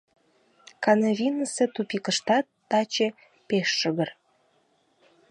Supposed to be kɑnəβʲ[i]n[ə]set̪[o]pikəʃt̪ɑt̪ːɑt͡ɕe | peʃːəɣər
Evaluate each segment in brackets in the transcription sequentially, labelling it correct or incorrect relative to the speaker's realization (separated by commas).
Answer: correct, correct, incorrect